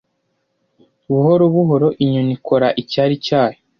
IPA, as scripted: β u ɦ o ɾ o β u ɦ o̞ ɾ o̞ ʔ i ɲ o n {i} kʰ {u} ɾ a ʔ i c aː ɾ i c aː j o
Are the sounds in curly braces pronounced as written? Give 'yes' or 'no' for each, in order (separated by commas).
yes, no